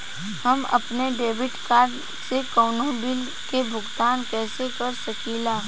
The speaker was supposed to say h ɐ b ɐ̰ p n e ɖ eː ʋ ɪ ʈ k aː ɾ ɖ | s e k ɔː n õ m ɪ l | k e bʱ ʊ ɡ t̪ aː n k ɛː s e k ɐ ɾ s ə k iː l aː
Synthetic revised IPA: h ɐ m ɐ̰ p n e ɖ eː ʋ ɪ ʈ k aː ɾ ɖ | s e k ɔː n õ b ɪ l | k e bʱ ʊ ɡ t̪ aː n k ɛː s e k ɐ ɾ s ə k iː l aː